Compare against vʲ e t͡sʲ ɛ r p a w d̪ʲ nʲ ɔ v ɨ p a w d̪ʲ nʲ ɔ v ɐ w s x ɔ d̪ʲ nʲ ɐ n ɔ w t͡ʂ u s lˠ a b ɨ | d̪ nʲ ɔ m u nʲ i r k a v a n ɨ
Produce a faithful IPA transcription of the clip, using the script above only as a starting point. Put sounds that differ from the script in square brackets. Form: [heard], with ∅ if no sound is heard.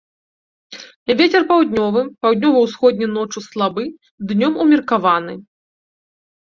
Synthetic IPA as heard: vʲ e t͡sʲ ɛ r p a w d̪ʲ nʲ ɔ v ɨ p a w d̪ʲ nʲ ɔ v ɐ w s x ɔ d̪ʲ nʲ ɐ n ɔ [∅] t͡ʂ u s lˠ a b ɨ | d̪ nʲ ɔ m u [mʲ] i r k a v a n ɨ